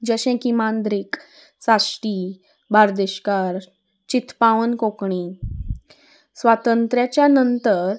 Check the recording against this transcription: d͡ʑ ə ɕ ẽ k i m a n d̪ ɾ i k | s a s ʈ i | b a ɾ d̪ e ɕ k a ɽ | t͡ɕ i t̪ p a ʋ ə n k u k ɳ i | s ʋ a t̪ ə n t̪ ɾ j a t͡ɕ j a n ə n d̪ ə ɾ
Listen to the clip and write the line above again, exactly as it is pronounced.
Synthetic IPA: d͡ʑ ə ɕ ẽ k i m a n d̪ ɾ i k | s a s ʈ i | b a ɾ d̪ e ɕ k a ɾ | t͡ɕ i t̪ p a ʋ ə n k o k ɳ i | s ʋ a t̪ ə n t̪ ɾ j a t͡ɕ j a n ə n t̪ ə ɾ